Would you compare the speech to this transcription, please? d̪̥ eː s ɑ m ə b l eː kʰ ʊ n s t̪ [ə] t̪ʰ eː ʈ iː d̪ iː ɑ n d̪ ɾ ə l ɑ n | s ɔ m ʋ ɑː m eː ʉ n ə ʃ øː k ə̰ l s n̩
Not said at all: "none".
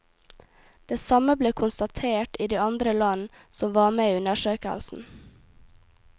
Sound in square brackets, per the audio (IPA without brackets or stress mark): ɑ